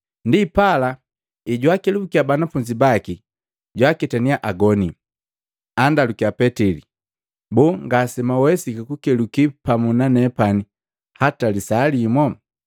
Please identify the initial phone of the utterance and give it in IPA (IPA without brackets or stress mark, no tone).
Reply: n